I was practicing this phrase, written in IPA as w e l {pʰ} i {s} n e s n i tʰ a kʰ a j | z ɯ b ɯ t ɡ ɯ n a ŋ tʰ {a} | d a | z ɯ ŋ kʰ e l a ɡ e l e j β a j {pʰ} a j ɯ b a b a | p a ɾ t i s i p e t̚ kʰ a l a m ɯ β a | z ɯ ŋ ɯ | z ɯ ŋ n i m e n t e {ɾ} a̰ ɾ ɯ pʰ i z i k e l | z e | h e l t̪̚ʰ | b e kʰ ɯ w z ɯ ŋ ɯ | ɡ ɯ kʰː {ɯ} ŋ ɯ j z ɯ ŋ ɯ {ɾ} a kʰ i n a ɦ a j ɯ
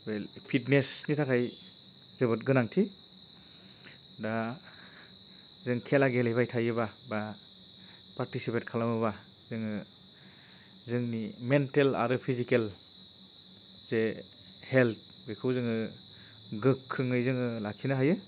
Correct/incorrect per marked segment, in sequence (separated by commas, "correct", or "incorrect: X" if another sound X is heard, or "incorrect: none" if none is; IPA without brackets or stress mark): correct, incorrect: t, incorrect: i, incorrect: tʰ, incorrect: l, correct, incorrect: l